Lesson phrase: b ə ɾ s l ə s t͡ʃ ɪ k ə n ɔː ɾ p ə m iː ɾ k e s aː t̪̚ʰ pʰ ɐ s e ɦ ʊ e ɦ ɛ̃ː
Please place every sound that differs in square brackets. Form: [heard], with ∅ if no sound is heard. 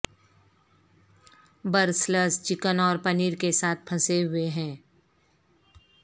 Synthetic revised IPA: b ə ɾ s l ə s t͡ʃ ɪ k ə n ɔː ɾ p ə [n] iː ɾ k e s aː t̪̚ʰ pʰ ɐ s e ɦ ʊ e ɦ ɛ̃ː